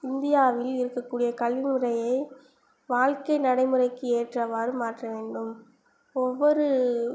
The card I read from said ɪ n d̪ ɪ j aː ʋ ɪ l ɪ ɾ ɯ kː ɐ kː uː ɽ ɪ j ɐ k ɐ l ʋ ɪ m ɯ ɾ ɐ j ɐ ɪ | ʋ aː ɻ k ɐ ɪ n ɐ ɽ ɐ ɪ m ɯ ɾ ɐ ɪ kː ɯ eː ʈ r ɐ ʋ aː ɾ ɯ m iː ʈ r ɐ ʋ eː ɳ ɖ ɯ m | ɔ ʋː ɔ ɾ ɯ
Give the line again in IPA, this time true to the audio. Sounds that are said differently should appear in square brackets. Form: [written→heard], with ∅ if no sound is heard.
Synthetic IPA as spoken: ɪ n d̪ ɪ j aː ʋ ɪ l ɪ ɾ ɯ kː ɐ kː uː ɽ ɪ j ɐ k ɐ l ʋ ɪ m ɯ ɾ ɐ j ɐ ɪ | ʋ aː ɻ k ɐ ɪ n ɐ ɽ ɐ ɪ m ɯ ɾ ɐ ɪ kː ɯ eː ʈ r ɐ ʋ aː ɾ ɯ m [iː→aː] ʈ r ɐ ʋ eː ɳ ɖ ɯ m | ɔ ʋː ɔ ɾ ɯ